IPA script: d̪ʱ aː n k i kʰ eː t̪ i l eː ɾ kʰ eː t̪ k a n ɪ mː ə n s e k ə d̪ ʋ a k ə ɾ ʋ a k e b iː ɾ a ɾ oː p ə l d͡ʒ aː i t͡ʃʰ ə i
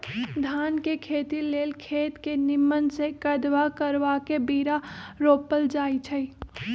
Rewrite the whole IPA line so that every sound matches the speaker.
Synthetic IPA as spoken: d̪ʱ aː n k e kʰ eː t̪ i l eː l kʰ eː t̪ k e n ɪ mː ə n s e k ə d̪ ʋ a k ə ɾ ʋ a k e b iː ɾ a ɾ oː p ə l d͡ʒ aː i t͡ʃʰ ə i